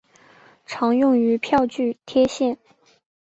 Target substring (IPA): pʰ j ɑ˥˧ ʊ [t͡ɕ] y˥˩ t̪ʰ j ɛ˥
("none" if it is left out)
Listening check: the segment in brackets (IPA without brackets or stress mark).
t͡ɕ